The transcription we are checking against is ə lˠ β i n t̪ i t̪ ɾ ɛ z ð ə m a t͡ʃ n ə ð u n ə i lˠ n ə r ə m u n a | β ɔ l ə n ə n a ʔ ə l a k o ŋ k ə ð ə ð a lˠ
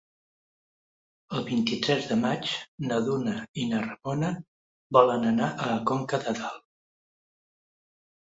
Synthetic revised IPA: ə lˠ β i n t̪ i t̪ ɾ ɛ z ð ə m a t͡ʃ n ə ð u n ə i n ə r ə m o n ə | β ɔ l ə n ə n a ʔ ə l ə k o ŋ k ə ð ə ð a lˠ